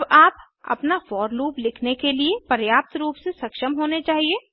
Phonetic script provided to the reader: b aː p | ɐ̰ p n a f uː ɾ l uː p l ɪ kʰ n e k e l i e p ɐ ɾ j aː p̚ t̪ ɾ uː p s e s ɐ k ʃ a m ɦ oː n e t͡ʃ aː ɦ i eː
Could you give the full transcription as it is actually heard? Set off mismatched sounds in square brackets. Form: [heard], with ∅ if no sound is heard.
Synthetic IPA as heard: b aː p | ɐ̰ p n a f [ɔː] ɾ l uː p l ɪ kʰ n e k e l i e p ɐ ɾ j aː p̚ t̪ ɾ uː p s e s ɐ k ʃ [ə] m ɦ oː n e t͡ʃ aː ɦ i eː